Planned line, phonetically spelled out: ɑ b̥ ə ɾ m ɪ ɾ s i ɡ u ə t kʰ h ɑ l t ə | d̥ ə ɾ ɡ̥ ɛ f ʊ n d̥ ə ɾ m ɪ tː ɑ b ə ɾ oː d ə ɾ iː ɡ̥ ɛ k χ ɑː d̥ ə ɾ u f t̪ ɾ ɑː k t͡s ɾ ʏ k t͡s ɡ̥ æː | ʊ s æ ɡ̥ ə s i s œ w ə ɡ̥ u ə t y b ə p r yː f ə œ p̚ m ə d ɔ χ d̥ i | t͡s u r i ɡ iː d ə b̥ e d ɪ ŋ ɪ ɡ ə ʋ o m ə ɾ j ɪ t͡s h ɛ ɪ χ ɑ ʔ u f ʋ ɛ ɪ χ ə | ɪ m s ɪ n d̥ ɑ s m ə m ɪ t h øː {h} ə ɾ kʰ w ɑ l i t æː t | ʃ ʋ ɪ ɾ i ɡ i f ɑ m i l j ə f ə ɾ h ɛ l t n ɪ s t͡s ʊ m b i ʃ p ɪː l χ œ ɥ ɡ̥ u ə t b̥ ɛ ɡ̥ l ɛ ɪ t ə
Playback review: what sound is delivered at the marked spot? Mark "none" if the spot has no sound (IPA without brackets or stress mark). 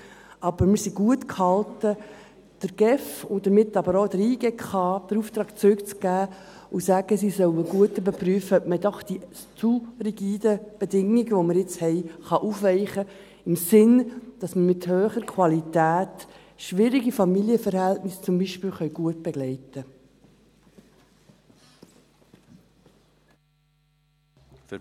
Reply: χ